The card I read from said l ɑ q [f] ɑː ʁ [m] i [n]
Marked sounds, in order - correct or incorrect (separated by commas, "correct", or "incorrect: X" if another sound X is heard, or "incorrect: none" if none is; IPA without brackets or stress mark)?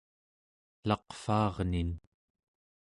correct, incorrect: n, correct